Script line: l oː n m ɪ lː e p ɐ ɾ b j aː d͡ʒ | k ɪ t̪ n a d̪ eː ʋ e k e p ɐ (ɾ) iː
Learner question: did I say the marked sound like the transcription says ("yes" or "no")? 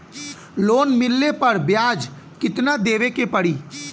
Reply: no